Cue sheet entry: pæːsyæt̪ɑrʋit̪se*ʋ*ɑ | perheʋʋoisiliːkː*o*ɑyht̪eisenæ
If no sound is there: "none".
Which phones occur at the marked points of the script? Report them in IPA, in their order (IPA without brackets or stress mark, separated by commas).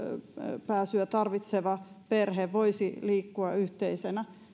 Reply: ʋ, u